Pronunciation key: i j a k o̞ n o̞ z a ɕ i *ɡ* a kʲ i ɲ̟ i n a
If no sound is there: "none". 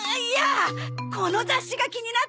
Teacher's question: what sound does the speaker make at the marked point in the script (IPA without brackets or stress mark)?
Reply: ɡ